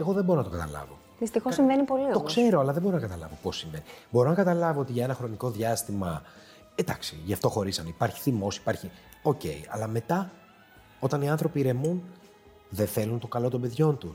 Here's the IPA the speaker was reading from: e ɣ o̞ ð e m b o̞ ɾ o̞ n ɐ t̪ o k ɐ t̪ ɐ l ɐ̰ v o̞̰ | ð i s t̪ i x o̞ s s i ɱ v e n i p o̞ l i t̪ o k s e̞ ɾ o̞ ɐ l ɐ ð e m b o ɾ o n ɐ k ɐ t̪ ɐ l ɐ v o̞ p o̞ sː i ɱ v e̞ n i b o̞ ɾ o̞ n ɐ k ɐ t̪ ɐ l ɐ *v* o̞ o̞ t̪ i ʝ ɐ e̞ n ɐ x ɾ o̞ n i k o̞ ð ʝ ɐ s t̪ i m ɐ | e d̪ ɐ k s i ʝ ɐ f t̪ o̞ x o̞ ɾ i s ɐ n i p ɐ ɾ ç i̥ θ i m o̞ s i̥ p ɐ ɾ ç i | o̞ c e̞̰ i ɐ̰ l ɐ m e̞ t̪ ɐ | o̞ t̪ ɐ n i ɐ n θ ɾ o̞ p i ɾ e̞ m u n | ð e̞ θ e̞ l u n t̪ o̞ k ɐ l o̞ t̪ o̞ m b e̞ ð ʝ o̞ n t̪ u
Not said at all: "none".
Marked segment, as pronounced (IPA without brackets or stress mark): v